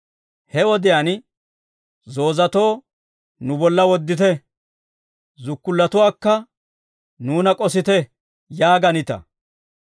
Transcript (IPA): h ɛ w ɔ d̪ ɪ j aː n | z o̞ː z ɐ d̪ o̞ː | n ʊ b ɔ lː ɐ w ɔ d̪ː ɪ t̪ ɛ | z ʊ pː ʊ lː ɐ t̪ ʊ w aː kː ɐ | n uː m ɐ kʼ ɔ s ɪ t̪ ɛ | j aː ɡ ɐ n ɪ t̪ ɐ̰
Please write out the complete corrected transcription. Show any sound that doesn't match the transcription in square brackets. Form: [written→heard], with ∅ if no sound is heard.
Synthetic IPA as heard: h ɛ w ɔ d̪ ɪ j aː n | z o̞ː z ɐ [d̪→t̪] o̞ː | n ʊ b ɔ lː ɐ w ɔ d̪ː ɪ t̪ ɛ | z ʊ [pː→kː] ʊ lː ɐ t̪ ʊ w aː kː ɐ | n uː [m→n] ɐ kʼ ɔ s ɪ t̪ ɛ | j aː ɡ ɐ n ɪ t̪ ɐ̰